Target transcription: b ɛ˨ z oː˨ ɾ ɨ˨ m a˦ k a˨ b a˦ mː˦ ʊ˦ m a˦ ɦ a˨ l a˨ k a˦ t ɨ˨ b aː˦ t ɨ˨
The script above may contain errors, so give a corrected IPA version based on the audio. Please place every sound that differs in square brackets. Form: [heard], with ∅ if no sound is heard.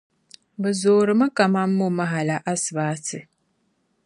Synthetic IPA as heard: b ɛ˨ z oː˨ ɾ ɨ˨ m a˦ k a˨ [m] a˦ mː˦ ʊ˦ m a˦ ɦ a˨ l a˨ [ʔ] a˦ [s] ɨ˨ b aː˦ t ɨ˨